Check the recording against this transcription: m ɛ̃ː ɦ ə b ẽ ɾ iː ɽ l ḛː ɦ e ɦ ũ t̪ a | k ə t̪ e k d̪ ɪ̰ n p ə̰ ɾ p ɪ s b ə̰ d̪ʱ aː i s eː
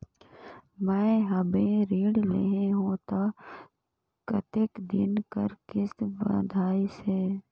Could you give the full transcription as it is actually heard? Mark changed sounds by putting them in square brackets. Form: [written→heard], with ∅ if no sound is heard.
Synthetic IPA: m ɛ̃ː ɦ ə b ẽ ɾ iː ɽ l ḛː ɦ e ɦ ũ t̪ a | k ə t̪ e k d̪ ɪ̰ n [p→k] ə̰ ɾ [p→k] ɪ s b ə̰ d̪ʱ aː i s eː